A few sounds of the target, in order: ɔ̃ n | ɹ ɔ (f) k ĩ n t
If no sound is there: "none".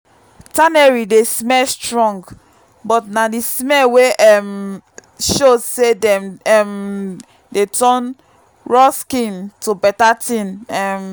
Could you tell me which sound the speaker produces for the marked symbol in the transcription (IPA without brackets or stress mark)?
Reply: s